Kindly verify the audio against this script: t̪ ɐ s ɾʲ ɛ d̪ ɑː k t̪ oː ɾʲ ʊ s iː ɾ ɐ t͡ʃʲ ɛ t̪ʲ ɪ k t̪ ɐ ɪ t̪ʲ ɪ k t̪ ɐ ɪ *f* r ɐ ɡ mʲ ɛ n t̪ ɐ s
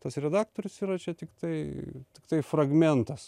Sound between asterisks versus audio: correct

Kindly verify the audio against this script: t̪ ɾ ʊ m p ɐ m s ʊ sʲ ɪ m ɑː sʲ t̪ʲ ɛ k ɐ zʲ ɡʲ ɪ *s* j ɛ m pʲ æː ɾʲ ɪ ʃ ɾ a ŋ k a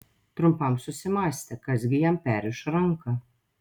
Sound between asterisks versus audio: incorrect: none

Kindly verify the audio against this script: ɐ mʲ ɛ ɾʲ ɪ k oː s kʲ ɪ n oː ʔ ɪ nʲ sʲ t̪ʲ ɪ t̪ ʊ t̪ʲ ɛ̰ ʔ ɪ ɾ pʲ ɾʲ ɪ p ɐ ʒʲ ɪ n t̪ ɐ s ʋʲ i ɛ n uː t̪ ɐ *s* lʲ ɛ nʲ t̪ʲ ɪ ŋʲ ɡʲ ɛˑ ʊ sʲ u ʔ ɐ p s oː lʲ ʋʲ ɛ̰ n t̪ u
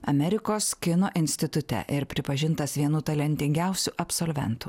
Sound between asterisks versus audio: incorrect: none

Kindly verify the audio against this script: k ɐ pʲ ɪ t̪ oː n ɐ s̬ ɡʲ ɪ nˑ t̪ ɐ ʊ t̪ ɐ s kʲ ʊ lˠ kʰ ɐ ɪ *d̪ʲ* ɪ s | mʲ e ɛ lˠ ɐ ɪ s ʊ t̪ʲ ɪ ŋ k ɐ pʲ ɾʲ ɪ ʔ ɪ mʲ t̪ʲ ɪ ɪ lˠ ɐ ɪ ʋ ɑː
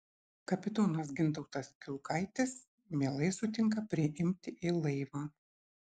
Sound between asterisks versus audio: incorrect: t̪ʲ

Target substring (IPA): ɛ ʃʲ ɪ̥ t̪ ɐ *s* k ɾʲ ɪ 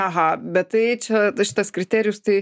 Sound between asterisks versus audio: correct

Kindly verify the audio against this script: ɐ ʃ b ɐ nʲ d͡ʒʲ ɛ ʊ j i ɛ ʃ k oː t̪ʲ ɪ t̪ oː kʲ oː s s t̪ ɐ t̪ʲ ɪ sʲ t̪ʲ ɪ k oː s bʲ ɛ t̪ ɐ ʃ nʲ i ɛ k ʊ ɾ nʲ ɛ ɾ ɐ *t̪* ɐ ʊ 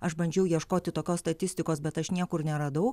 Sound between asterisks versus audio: incorrect: d̪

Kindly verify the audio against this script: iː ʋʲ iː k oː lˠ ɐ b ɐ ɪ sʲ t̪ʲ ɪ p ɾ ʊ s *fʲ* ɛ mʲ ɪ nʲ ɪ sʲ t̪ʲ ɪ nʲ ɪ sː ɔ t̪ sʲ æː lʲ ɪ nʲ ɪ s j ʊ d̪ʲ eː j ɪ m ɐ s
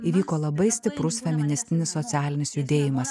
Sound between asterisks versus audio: correct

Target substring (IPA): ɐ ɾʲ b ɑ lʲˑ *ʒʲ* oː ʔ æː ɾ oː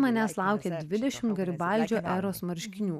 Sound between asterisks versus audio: incorrect: d͡ʒʲ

